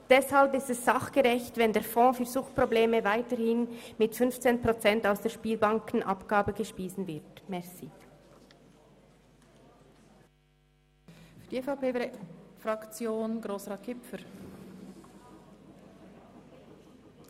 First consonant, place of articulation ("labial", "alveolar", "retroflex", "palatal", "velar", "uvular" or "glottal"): alveolar